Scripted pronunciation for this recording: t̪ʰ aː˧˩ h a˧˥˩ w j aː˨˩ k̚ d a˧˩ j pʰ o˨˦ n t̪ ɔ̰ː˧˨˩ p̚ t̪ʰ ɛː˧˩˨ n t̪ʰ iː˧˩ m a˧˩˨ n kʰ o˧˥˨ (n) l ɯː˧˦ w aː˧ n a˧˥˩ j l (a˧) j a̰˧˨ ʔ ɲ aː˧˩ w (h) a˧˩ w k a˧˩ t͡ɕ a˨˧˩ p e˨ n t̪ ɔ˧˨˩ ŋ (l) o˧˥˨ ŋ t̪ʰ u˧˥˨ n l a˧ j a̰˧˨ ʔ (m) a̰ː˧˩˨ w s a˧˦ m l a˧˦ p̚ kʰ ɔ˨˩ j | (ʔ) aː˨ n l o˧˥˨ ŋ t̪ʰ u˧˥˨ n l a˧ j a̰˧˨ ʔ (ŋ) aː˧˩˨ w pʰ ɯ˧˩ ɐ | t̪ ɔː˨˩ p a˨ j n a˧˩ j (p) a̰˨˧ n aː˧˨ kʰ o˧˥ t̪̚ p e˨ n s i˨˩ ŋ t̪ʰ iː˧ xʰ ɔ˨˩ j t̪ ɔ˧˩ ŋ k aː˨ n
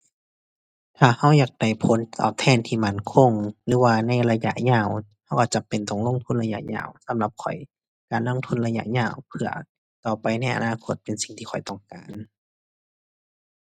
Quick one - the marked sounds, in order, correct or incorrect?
incorrect, correct, correct, correct, incorrect, incorrect, incorrect, incorrect

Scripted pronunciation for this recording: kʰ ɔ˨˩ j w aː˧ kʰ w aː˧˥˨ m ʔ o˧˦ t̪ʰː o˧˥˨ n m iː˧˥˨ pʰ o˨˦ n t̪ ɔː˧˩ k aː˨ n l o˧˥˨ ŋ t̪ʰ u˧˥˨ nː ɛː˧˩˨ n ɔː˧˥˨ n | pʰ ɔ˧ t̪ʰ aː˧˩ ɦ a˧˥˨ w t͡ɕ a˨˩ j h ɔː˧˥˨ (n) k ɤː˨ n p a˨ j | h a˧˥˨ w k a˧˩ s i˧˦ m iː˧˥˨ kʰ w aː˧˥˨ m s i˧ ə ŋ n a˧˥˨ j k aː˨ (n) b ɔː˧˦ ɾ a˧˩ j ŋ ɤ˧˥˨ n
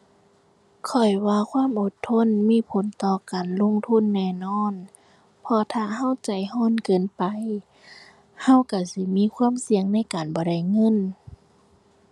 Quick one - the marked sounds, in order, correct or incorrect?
correct, correct

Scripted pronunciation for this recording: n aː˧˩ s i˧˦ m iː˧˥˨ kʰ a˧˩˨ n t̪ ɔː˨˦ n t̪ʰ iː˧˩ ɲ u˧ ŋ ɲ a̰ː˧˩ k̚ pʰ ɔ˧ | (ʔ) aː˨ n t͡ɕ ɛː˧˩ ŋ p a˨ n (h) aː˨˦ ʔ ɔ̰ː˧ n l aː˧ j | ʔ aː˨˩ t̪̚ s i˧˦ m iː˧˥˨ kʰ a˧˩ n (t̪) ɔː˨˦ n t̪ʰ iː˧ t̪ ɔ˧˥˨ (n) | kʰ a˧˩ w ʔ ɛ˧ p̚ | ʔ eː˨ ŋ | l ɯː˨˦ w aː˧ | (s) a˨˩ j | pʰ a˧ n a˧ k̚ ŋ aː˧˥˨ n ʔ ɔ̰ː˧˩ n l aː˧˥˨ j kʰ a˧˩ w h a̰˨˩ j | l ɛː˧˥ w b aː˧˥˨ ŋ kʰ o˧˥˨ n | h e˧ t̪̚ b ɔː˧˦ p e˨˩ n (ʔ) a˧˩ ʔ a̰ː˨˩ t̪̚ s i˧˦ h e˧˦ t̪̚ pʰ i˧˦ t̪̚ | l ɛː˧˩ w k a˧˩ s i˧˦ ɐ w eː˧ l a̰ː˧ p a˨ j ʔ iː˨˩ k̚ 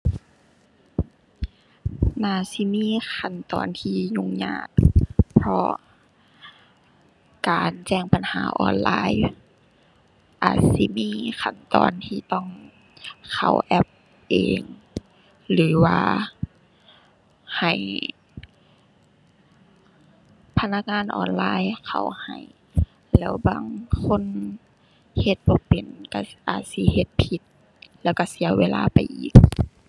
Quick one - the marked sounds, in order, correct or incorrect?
incorrect, correct, correct, incorrect, incorrect, incorrect

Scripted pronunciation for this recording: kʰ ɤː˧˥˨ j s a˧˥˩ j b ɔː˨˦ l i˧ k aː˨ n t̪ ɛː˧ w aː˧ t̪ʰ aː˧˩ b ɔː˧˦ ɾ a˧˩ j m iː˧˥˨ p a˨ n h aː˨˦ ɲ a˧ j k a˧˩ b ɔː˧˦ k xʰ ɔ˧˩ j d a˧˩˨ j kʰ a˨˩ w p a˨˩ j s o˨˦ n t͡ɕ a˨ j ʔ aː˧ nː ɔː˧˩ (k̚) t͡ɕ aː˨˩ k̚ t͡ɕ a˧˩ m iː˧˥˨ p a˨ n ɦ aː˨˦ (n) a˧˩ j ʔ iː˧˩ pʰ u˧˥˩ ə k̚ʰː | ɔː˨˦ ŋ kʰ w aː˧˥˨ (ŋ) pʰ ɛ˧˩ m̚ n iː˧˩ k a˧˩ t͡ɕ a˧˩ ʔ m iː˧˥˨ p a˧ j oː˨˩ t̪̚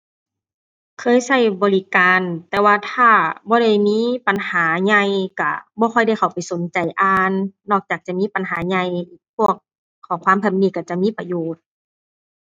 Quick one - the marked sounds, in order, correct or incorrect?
correct, incorrect, incorrect

